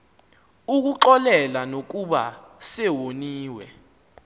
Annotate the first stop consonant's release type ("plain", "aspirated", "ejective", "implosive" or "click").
plain